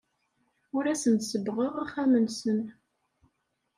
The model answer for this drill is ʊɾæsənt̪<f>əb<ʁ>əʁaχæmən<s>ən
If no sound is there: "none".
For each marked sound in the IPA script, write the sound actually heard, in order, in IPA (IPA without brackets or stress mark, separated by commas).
s, ʁ, s